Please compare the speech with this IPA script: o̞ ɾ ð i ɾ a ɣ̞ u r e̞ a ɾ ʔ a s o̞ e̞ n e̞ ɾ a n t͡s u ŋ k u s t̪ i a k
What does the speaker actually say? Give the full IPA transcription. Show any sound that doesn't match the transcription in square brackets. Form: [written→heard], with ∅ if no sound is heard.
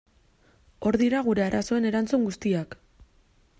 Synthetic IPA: o̞ ɾ ð i ɾ a ɣ̞ u [r→ɾ] e̞ a ɾ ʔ a s o̞ e̞ n e̞ ɾ a n t͡s u ŋ [k→ɡ] u s t̪ i a k

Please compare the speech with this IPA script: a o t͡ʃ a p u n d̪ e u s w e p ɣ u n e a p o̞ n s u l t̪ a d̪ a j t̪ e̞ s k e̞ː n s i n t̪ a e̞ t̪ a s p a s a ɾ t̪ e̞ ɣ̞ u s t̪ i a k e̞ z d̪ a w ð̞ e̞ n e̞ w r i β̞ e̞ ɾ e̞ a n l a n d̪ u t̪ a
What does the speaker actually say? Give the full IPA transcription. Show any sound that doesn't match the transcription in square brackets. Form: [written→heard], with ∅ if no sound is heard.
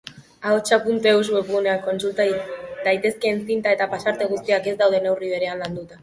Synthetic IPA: a o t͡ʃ a p u n [d̪→t̪] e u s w e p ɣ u n e a [p→k] o̞ n s u l t̪ a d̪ a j t̪ e̞ s k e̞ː n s i n t̪ a e̞ t̪ a [s→∅] p a s a ɾ t̪ e̞ ɣ̞ u s t̪ i a k e̞ z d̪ a w ð̞ e̞ n e̞ w r i β̞ e̞ ɾ e̞ a n l a n d̪ u t̪ a

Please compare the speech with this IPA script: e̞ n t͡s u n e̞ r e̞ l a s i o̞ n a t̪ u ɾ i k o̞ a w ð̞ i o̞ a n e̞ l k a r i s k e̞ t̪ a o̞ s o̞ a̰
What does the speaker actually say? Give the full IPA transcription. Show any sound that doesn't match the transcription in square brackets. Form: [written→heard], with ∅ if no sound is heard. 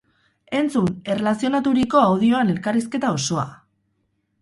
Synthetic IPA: e̞ n t͡s u n e̞ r e̞ l a s i o̞ n a t̪ u ɾ i k o̞ a w ð̞ i o̞ a n e̞ l k a r i s k e̞ t̪ a o̞ s o̞ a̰

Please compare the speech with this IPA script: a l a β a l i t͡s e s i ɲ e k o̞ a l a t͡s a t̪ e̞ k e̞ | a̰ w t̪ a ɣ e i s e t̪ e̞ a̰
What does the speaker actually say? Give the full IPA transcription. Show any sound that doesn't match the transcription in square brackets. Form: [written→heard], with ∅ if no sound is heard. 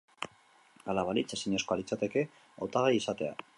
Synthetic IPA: a l a β a l i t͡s e s i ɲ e k o̞ a l [a→i] t͡s a t̪ e̞ k e̞ | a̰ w t̪ a ɣ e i s [e→a] t̪ e̞ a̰

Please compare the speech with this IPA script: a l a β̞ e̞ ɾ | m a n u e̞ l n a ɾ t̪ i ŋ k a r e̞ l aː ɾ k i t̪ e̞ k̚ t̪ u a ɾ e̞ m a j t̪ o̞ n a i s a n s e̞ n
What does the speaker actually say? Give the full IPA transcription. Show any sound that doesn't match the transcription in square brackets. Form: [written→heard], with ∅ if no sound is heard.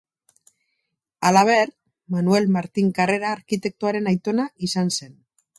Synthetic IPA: a l a β̞ e̞ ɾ | m a n u e̞ l [n→m] a ɾ t̪ i ŋ k a r e̞ [l→ɾ] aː ɾ k i t̪ e̞ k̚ t̪ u a ɾ e̞ [m→n] a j t̪ o̞ n a i s a n s e̞ n

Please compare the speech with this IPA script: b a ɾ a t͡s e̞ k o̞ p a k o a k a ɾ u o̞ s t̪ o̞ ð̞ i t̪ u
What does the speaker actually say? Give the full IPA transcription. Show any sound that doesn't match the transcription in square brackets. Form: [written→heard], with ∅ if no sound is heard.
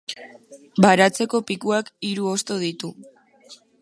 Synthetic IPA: b a ɾ a t͡s e̞ k o̞ p [a→i] k [o→u] a k [a→i] ɾ u o̞ s t̪ o̞ ð̞ i t̪ u

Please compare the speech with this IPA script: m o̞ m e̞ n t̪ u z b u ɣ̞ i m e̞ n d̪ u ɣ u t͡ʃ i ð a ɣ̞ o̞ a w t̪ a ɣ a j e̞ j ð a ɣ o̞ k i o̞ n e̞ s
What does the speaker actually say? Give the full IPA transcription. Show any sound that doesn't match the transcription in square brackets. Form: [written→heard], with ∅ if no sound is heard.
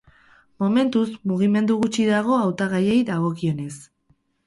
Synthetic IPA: m o̞ m e̞ n t̪ u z [b→m] u ɣ̞ i m e̞ n d̪ u ɣ u t͡ʃ i ð a ɣ̞ o̞ a w t̪ a ɣ a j e̞ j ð a ɣ o̞ k i o̞ n e̞ s

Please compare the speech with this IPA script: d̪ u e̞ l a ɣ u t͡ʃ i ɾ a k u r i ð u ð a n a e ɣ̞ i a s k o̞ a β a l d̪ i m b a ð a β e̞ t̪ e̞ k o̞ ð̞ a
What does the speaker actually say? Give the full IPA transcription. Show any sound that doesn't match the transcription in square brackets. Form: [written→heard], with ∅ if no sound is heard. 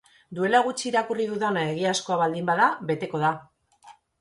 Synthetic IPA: d̪ u e̞ l a ɣ u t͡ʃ [i→iː] ɾ a k u r i ð u ð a n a e ɣ̞ i a s k o̞ a β a l d̪ i m b a ð a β e̞ t̪ e̞ k o̞ ð̞ a

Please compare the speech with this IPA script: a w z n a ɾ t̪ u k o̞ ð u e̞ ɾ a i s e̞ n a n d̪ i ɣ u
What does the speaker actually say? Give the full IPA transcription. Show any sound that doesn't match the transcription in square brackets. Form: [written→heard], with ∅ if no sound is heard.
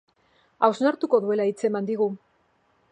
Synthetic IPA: a w z n a ɾ t̪ u k o̞ ð u e̞ [ɾ→l] a i [s→t͡s] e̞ [n→m] a n d̪ i ɣ u

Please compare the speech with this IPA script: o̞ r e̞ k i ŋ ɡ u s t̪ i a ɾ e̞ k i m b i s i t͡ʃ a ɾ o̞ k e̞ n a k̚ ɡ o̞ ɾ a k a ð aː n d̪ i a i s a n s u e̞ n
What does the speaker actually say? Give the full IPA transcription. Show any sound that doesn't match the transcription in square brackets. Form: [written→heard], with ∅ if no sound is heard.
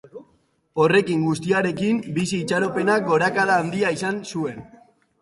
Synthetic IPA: o̞ r e̞ k i ŋ ɡ u s t̪ i a ɾ e̞ k i m b i s [i→iː] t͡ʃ a ɾ o̞ [k→p] e̞ n a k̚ ɡ o̞ ɾ a k a ð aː n d̪ i a i s a n s u e̞ n

